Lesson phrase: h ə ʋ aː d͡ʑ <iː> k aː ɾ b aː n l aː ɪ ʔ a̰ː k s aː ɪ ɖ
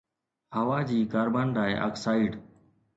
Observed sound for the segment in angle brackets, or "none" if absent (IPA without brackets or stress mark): iː